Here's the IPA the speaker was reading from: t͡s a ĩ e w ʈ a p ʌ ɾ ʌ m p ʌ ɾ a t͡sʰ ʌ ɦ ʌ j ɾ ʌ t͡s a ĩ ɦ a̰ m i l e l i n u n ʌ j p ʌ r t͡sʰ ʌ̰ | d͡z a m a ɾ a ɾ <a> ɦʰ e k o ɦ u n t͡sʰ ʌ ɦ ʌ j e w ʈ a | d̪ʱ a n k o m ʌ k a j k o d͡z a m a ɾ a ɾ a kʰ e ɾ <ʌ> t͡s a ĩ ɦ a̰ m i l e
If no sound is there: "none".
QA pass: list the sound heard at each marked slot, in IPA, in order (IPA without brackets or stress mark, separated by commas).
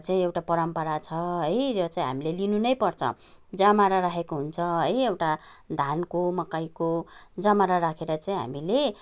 a, ʌ